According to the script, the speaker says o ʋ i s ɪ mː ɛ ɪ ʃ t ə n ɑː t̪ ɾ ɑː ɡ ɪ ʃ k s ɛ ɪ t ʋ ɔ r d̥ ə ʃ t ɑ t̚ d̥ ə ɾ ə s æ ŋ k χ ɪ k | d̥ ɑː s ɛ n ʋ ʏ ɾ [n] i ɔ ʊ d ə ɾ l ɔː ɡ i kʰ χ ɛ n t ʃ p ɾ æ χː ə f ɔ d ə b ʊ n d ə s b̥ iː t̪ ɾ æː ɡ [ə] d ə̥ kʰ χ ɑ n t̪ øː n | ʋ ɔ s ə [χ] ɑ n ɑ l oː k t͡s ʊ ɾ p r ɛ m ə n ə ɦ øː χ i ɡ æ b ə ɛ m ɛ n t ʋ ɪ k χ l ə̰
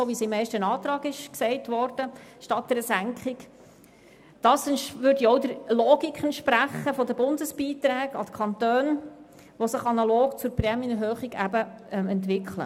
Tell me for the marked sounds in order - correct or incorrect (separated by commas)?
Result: incorrect, incorrect, correct